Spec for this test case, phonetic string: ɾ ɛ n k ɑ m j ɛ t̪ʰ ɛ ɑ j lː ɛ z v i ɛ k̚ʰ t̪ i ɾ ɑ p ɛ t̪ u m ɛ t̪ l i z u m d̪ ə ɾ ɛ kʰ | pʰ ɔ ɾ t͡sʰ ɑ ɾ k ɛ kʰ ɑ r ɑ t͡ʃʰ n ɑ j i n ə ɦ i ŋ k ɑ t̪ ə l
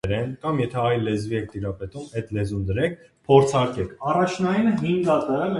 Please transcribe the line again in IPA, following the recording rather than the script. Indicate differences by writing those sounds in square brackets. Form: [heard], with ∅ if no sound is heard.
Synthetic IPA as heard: ɾ ɛ n k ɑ m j ɛ t̪ʰ ɛ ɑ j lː ɛ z v i ɛ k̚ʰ t̪ i ɾ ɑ p ɛ t̪ u m ɛ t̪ l [ɛ] z u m d̪ ə ɾ ɛ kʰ | pʰ ɔ ɾ t͡sʰ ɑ ɾ k ɛ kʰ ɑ r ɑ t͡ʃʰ n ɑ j i n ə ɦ i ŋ [ɡ] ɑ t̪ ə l